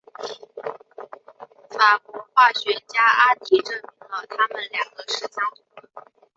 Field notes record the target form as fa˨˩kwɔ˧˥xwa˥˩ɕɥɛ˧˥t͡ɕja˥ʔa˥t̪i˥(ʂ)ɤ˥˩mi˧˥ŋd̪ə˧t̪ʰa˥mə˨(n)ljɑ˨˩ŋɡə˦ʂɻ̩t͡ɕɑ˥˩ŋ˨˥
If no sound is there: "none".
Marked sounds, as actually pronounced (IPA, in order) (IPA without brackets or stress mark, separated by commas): ʈ͡ʂ, n